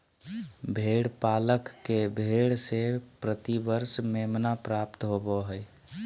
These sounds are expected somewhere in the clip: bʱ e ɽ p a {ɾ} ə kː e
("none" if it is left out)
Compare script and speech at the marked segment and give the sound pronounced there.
l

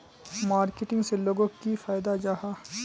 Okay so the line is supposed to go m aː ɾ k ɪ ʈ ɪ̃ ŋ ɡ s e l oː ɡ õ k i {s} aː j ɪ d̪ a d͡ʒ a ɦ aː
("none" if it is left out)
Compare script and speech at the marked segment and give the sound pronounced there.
f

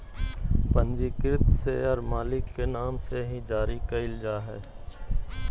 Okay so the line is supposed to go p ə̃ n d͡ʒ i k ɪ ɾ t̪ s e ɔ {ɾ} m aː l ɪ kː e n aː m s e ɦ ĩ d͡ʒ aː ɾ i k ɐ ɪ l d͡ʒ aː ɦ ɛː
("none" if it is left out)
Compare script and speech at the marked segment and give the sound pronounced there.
ɾ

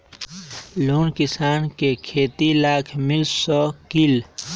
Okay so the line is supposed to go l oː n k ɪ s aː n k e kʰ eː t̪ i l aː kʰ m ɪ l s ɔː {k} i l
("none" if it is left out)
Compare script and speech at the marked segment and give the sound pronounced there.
k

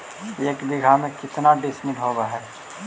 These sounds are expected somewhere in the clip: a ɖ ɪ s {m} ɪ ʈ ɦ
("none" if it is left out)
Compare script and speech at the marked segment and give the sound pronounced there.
m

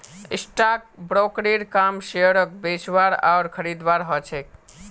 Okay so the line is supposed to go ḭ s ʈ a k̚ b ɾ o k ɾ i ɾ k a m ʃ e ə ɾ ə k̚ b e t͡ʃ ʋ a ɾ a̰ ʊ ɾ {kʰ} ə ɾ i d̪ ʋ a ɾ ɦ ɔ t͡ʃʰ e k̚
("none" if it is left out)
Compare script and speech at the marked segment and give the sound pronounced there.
kʰ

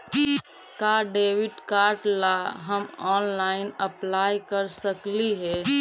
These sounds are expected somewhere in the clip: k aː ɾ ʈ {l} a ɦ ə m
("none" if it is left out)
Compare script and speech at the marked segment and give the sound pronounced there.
l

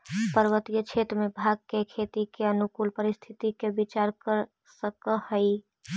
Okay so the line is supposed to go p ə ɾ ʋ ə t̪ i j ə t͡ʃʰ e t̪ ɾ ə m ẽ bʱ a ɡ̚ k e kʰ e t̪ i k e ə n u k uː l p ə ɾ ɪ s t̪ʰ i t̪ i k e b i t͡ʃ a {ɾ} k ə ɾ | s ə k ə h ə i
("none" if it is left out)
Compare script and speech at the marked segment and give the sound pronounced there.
ɾ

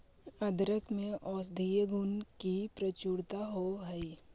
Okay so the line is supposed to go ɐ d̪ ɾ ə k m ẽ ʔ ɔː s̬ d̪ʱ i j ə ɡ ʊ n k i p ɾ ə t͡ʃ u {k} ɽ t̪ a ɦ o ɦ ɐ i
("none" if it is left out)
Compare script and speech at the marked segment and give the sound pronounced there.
none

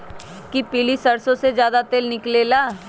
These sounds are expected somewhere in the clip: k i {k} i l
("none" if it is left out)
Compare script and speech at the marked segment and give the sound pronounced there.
p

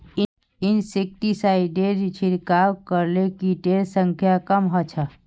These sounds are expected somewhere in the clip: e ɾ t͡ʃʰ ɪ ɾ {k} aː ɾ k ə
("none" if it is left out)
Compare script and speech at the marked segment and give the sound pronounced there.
k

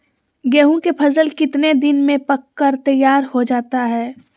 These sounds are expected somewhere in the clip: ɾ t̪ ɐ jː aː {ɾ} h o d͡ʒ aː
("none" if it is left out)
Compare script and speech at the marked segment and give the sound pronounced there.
ɾ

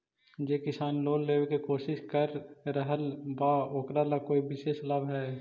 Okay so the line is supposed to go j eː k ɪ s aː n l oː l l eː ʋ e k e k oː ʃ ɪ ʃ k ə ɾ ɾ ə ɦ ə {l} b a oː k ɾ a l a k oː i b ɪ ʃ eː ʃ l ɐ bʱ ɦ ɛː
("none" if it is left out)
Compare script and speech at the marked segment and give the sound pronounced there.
l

